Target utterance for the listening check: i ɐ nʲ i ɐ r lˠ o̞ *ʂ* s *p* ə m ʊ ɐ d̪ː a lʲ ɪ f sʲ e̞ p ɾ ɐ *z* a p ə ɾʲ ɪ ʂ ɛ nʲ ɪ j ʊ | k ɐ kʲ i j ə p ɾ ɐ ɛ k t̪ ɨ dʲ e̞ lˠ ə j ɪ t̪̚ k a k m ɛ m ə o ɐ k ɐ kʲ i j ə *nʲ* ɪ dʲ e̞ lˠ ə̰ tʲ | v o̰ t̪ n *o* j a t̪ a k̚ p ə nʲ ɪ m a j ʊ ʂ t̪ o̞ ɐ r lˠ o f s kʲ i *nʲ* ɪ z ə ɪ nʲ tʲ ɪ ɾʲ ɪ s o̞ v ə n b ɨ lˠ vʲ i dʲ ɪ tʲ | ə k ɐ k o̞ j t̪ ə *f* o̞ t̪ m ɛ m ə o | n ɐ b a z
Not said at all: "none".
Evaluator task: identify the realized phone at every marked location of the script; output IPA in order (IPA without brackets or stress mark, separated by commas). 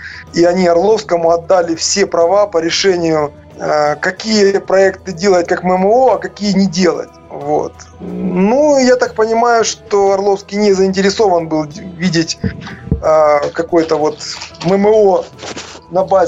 f, k, v, nʲ, u, nʲ, v